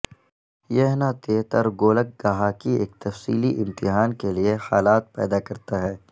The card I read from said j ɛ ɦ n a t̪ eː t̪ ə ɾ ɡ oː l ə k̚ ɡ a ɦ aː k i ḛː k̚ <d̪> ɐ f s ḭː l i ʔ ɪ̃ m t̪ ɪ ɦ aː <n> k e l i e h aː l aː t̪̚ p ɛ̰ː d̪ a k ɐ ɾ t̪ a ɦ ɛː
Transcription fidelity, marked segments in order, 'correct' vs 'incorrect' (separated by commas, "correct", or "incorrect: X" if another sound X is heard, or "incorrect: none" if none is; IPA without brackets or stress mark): incorrect: t̪, correct